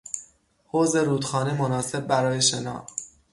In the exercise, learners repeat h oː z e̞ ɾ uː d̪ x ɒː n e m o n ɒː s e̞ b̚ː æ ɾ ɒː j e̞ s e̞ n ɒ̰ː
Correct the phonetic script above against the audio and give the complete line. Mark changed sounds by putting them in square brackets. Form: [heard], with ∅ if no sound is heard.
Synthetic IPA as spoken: h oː z e̞ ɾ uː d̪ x ɒː n e m o n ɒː s e̞ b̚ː æ ɾ ɒː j e̞ [ʃ] e̞ n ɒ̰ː